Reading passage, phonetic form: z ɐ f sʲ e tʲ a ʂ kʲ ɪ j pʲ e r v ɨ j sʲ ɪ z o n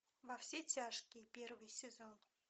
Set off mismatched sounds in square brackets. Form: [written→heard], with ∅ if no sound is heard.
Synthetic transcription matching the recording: [z→v] ɐ f sʲ e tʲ a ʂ kʲ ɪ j pʲ e r v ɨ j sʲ ɪ z o n